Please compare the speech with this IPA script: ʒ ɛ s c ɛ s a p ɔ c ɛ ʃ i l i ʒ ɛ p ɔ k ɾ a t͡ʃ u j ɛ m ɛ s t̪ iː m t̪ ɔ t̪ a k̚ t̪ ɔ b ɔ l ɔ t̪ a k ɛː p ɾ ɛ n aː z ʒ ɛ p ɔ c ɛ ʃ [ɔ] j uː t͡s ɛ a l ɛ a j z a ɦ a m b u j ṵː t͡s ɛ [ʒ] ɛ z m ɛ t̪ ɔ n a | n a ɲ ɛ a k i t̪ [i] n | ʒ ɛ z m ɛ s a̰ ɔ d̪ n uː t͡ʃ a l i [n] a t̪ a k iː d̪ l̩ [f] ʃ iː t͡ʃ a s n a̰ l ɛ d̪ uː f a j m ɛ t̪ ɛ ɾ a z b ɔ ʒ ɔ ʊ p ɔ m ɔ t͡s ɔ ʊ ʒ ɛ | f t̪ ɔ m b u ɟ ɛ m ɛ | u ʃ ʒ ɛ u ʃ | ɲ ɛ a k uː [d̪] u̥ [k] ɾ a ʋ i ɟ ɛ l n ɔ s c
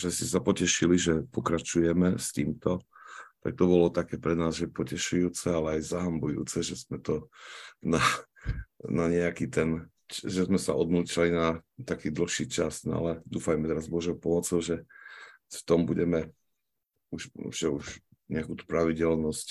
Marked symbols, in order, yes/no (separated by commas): no, yes, no, yes, no, no, no